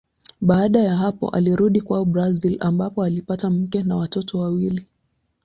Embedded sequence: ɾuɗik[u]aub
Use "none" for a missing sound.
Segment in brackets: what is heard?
w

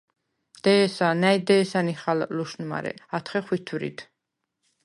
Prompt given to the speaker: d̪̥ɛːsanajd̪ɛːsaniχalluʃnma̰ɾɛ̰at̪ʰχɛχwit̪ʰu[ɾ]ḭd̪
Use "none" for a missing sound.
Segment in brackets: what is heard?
ɾ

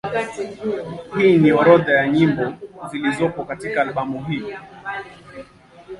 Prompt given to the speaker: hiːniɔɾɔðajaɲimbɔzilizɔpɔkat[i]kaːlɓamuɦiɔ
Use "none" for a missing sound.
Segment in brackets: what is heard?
i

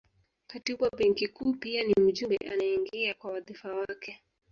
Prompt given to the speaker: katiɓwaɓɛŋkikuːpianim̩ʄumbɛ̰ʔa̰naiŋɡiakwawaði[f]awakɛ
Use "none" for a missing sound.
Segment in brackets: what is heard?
f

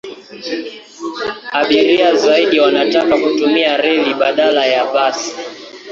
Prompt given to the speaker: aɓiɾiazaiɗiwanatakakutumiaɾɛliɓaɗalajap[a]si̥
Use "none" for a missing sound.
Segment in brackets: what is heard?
a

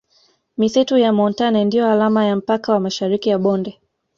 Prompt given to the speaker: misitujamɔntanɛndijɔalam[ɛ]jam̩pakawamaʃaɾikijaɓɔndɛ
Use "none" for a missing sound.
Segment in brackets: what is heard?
a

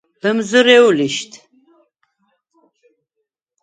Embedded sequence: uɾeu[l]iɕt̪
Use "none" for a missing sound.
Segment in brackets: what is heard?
l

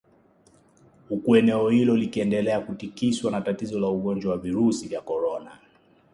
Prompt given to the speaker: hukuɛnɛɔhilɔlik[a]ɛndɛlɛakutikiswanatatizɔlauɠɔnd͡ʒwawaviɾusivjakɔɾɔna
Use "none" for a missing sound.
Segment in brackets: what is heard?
i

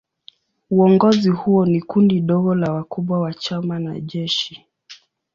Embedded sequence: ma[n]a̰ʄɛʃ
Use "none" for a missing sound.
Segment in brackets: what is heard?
n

